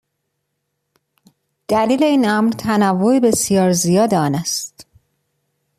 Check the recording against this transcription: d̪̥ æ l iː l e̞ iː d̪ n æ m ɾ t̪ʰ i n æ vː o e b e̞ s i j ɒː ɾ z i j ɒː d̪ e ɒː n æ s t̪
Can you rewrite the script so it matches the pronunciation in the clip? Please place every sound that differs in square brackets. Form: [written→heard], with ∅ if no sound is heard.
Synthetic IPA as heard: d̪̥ æ l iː l e̞ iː [d̪→∅] n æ m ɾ t̪ʰ [i→æ] n æ vː o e b e̞ s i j ɒː ɾ z i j ɒː d̪ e ɒː n æ s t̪